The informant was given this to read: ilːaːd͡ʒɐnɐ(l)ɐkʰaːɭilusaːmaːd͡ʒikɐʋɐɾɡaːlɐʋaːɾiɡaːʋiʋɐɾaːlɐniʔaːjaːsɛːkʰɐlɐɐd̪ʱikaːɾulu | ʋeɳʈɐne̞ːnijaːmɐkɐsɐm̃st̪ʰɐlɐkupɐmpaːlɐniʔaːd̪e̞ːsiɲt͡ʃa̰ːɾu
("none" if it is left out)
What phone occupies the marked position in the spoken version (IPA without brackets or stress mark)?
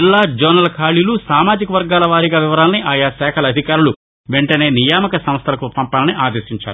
l